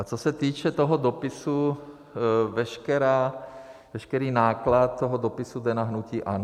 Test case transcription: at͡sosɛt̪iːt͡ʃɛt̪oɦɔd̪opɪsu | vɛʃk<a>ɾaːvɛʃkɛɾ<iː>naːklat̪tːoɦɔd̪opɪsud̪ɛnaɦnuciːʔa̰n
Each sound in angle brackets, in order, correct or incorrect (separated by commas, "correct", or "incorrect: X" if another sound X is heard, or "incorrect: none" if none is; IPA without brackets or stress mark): incorrect: ɛ, correct